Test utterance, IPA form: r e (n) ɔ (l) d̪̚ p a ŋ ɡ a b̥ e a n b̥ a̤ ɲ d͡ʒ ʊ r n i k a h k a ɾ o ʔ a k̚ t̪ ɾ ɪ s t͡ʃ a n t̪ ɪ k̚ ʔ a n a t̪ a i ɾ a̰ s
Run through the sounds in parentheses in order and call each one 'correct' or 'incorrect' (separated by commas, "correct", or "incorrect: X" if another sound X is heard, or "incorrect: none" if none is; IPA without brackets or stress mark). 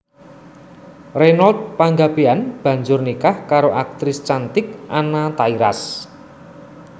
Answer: correct, correct